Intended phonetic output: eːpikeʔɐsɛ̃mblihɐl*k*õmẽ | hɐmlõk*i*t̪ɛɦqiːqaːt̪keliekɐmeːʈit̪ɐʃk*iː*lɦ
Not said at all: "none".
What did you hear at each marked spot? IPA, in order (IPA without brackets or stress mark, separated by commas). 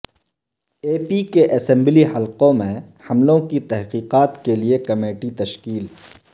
q, i, iː